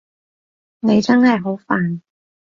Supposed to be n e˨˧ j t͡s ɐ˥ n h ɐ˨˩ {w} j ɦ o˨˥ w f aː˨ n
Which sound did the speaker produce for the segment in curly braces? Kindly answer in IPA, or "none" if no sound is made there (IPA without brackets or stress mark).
none